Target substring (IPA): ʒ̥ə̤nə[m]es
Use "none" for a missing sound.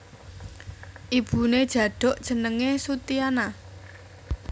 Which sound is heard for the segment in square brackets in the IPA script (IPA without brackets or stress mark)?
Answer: ŋ